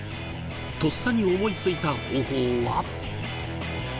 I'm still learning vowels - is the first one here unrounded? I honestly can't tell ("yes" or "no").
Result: no